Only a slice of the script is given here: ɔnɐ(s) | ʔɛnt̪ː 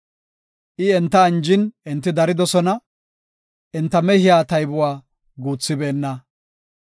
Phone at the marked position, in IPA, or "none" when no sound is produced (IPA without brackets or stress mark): none